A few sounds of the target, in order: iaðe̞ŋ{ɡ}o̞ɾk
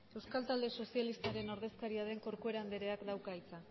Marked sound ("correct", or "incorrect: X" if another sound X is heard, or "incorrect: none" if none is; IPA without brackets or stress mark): incorrect: k